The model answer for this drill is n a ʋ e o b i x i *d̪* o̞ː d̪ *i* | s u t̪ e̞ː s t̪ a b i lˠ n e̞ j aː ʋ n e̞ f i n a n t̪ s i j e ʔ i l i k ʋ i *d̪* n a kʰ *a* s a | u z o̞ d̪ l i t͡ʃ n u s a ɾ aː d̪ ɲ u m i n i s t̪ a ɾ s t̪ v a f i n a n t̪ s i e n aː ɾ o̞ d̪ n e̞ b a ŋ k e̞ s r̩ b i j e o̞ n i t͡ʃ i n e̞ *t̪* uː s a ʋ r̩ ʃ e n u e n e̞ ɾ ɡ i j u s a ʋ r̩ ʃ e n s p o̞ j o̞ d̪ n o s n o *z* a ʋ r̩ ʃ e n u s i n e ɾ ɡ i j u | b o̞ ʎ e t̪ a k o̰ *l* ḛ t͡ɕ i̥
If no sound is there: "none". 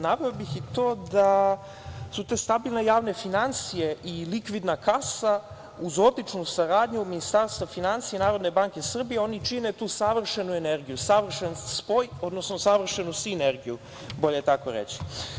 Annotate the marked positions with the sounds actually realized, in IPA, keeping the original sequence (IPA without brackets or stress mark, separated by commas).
t̪, a, d̪, a, t̪, s, ɾ